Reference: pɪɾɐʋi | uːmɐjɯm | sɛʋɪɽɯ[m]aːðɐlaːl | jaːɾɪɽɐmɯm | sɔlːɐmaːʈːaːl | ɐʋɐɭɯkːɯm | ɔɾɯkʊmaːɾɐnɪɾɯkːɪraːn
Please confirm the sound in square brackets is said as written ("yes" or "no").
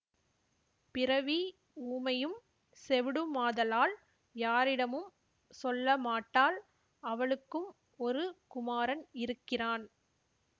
yes